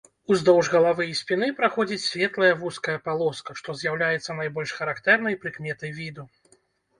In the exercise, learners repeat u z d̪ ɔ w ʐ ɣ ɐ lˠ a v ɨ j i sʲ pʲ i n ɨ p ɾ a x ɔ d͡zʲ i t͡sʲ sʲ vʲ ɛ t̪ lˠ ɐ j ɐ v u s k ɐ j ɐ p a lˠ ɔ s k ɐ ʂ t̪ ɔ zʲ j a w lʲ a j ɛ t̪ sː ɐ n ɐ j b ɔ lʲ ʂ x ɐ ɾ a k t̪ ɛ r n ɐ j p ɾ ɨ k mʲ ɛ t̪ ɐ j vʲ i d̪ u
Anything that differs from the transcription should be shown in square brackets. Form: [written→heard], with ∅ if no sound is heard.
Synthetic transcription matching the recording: u z d̪ ɔ w ʐ ɣ ɐ lˠ a v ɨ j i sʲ pʲ i n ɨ p ɾ a x ɔ d͡zʲ i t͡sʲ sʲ vʲ ɛ t̪ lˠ ɐ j ɐ v u s k ɐ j ɐ p a lˠ ɔ s k ɐ ʂ t̪ ɔ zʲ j a w lʲ a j ɛ t̪ sː ɐ n [ɐ→a] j b ɔ lʲ ʂ x ɐ ɾ a k t̪ ɛ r n ɐ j p ɾ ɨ k mʲ ɛ t̪ ɐ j vʲ i d̪ u